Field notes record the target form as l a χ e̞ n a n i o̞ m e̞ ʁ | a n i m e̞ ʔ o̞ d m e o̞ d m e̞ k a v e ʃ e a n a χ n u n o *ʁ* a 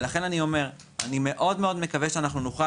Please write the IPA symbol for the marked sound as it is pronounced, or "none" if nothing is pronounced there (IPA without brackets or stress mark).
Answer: χ